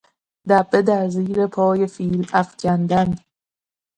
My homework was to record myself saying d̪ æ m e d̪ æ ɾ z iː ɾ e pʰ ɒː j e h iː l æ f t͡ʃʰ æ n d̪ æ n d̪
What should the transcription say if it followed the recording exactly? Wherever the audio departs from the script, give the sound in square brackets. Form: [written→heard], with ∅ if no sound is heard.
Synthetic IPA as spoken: d̪ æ [m→b] e d̪ æ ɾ z iː ɾ e pʰ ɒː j e [h→f] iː l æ f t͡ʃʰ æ n d̪ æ n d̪